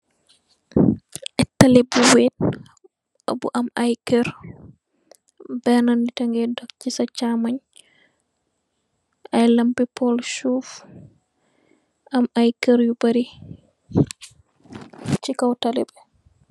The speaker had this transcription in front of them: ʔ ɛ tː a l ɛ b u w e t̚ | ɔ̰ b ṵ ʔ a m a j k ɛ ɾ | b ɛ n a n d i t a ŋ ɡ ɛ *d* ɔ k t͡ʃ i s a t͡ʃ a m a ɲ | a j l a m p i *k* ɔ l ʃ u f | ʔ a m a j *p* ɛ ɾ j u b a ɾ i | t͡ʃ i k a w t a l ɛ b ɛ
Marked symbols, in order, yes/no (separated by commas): yes, no, no